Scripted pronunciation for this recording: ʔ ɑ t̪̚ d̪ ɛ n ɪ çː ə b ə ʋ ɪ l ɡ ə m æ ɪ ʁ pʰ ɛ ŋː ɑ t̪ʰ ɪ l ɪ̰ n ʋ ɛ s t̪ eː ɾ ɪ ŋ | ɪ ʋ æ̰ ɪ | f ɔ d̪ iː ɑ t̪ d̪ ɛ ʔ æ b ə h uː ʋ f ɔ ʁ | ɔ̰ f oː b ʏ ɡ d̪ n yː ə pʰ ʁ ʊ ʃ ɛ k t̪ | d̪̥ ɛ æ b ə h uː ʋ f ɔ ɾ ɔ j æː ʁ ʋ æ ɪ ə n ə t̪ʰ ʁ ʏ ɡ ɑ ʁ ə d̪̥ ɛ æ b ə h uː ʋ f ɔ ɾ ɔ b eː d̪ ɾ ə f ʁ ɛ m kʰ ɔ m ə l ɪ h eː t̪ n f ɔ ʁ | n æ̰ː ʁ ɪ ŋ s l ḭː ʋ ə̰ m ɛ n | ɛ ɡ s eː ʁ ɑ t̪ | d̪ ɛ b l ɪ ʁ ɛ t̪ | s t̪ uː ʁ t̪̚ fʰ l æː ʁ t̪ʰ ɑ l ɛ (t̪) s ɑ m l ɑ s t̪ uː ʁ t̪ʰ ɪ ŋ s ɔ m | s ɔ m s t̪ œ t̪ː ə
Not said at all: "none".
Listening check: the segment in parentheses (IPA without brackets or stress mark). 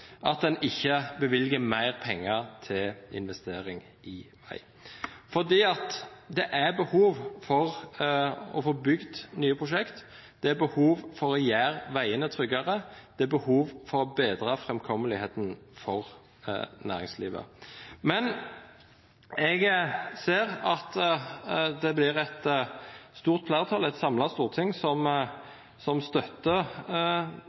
t̪